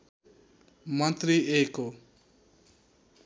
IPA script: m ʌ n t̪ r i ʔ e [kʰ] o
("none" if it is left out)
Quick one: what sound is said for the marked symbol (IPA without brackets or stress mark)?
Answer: k